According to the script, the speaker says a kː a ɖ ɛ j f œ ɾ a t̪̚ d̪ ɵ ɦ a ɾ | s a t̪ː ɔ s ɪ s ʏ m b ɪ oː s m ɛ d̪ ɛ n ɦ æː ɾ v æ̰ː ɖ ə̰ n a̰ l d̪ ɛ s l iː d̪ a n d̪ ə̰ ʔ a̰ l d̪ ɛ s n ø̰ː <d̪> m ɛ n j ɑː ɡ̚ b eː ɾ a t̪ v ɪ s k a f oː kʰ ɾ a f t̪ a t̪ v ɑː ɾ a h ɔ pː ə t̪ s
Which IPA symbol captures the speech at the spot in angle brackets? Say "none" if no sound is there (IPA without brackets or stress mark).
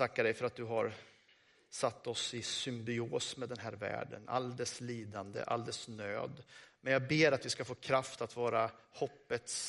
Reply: d̪